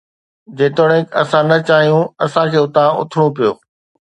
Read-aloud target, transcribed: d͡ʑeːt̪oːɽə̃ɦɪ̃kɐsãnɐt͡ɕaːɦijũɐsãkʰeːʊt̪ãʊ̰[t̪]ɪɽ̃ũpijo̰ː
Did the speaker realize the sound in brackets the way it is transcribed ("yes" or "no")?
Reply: no